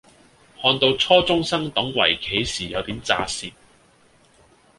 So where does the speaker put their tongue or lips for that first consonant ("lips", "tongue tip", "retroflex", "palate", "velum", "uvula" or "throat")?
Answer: throat